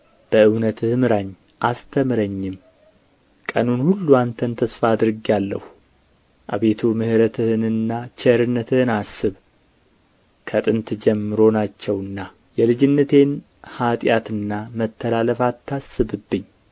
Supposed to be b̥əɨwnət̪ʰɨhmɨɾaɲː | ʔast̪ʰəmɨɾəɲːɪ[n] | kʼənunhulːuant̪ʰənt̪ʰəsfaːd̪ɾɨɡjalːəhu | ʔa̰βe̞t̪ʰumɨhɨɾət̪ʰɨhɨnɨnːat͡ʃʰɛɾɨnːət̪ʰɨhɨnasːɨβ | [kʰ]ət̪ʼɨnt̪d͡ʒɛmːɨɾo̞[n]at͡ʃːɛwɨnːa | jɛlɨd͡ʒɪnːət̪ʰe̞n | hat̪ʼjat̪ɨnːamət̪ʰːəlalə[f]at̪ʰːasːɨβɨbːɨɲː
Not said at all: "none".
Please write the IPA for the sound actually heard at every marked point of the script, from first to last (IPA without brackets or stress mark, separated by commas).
m, kʰ, n, f